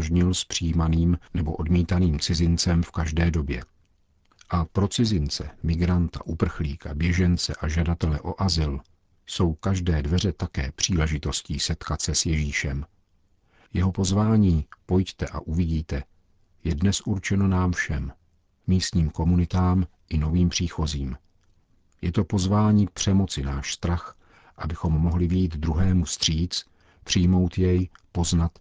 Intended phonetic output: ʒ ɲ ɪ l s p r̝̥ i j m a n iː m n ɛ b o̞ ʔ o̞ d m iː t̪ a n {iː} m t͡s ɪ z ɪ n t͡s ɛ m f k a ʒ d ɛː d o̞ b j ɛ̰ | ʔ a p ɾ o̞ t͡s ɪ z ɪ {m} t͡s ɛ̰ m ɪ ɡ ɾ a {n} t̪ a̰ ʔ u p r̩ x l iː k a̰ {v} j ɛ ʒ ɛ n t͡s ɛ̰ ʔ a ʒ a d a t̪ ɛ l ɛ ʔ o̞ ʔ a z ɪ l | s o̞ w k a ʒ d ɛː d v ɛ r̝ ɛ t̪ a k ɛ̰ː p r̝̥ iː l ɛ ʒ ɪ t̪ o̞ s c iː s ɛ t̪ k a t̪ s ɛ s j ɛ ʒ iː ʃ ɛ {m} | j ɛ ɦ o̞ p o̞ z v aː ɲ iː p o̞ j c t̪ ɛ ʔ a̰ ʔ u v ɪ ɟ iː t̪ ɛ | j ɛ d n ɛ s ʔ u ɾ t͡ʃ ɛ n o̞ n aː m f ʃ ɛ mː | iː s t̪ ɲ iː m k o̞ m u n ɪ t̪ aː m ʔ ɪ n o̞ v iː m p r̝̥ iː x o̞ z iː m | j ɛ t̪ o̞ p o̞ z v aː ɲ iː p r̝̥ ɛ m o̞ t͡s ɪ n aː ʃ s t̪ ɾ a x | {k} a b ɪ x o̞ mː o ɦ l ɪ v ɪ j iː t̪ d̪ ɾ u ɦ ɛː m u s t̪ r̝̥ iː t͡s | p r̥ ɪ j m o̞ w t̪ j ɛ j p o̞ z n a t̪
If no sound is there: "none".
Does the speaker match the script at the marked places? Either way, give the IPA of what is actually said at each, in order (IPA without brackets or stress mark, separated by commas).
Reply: iː, n, n, b, m, ʔ